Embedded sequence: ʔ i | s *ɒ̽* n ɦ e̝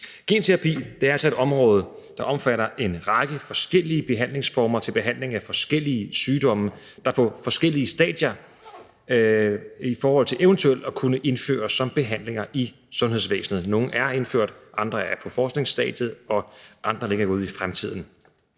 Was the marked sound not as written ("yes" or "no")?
yes